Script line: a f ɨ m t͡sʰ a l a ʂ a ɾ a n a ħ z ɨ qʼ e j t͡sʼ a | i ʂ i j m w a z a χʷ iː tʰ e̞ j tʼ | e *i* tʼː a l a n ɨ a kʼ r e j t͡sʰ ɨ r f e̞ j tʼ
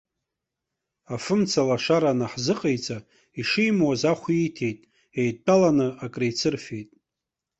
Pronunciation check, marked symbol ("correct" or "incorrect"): incorrect